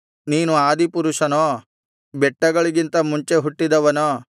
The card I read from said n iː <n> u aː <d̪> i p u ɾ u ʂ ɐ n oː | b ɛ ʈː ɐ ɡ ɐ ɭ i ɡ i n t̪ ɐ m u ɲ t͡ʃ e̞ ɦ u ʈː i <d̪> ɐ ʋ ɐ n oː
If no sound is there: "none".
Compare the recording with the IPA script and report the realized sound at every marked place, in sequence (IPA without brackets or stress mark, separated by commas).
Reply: n, d̪, d̪